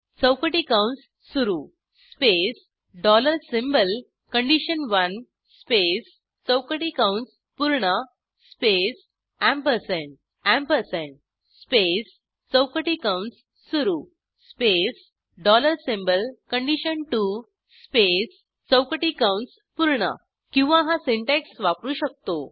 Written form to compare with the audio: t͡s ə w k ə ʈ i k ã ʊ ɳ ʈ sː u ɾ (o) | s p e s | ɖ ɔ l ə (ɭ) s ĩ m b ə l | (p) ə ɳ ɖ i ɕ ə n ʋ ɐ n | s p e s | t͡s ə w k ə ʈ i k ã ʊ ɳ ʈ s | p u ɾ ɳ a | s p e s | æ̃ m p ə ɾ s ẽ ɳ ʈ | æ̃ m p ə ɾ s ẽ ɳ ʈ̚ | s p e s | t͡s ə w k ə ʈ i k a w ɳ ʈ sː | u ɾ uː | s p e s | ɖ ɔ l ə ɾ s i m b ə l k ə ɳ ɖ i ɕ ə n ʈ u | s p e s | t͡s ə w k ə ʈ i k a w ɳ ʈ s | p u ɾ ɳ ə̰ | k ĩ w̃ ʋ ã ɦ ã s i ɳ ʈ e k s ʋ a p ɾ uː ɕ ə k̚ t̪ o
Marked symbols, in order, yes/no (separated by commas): no, no, no